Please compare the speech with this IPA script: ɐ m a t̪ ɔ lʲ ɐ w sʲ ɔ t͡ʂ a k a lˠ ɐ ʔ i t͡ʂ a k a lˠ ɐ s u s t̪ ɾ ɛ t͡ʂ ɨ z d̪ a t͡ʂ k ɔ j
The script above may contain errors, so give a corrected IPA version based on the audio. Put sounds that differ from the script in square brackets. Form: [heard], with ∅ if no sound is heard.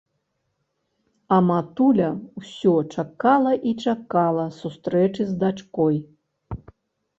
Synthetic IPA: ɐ m a t̪ [u] lʲ ɐ w sʲ ɔ t͡ʂ a k a lˠ ɐ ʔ i t͡ʂ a k a lˠ ɐ s u s t̪ ɾ ɛ t͡ʂ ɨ z d̪ a t͡ʂ k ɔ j